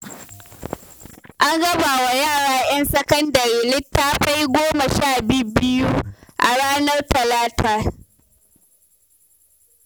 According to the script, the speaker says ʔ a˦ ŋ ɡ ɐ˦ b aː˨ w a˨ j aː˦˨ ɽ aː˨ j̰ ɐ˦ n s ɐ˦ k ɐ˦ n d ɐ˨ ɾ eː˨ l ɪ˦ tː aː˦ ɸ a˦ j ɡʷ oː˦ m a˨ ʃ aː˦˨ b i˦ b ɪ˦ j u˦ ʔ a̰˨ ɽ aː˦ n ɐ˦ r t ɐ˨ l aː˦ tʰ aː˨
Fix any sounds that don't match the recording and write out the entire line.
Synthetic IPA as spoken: ʔ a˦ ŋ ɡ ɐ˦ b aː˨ w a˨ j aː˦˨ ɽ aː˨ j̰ ɐ˦ n s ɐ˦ k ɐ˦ n d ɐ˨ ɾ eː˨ l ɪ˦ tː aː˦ ɸ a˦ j ɡʷ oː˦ m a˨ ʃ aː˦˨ b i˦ b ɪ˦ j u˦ ʔ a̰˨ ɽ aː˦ n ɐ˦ r t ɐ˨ l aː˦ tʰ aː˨